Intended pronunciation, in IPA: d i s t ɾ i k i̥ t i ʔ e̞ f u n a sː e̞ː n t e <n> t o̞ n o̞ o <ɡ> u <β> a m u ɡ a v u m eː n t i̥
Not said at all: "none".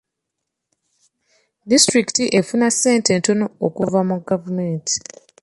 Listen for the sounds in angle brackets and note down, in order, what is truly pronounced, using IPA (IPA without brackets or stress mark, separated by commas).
n, k, v